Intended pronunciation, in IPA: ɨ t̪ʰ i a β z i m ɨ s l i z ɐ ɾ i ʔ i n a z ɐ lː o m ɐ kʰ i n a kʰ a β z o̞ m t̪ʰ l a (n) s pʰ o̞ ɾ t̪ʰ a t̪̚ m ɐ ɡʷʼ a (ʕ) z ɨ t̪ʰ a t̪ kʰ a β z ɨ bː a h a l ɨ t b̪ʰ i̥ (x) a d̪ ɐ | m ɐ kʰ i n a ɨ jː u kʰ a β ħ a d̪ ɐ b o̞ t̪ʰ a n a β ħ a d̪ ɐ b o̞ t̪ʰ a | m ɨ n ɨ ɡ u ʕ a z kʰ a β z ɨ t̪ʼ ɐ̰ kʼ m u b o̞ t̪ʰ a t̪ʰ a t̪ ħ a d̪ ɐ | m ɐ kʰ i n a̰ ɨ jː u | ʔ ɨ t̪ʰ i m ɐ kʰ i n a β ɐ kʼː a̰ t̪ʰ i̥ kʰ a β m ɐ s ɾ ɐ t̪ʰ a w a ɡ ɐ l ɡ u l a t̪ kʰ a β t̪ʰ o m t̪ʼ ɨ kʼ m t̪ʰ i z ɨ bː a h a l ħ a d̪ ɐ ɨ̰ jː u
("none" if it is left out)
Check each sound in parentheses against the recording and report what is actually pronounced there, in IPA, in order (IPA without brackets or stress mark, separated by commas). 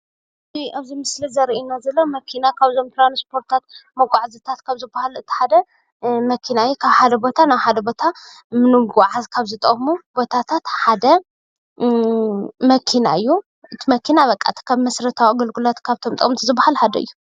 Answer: n, ʕ, ħ